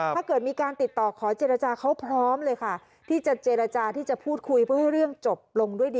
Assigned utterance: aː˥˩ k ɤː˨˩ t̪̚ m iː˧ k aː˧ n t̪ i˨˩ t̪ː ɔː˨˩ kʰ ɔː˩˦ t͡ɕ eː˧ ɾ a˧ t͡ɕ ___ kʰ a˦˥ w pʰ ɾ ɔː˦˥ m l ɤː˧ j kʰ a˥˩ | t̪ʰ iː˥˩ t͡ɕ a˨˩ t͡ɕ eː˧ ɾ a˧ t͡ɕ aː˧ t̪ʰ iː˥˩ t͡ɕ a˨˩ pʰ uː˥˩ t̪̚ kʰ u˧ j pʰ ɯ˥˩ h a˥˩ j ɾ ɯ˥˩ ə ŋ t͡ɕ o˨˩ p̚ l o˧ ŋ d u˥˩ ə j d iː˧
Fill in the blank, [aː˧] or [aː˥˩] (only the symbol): aː˧